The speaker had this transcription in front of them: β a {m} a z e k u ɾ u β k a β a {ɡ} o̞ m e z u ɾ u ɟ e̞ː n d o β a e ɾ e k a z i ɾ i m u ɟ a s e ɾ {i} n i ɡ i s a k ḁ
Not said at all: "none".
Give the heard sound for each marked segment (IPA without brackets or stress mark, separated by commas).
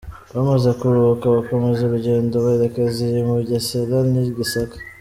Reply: m, k, a